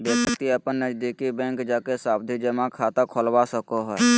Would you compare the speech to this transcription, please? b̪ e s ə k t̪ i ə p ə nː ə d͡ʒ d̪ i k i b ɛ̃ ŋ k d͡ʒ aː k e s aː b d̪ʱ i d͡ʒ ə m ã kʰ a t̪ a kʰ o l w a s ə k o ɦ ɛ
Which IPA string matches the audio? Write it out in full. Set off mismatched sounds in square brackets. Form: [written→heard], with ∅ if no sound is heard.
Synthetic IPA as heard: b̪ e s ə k t̪ i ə p ə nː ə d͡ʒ d̪ i k i b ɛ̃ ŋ k d͡ʒ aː k e s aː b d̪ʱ i d͡ʒ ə m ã kʰ a t̪ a kʰ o l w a s ə k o ɦ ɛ